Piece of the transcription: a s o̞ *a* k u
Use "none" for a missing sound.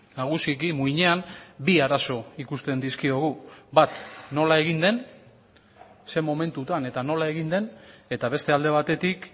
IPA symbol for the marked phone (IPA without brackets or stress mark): i